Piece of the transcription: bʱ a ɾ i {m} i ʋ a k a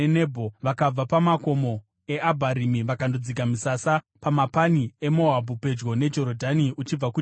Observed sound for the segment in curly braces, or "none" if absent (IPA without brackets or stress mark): m